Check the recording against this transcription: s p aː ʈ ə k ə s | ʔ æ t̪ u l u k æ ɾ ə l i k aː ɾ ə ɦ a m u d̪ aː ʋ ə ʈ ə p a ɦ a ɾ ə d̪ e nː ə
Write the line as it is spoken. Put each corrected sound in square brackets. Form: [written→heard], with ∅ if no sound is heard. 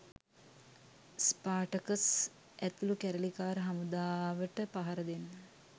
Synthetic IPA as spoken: s p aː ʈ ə k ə s | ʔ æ t̪ u l u k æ ɾ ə l i k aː ɾ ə ɦ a m u d̪ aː ʋ ə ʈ ə p a ɦ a ɾ ə d̪ e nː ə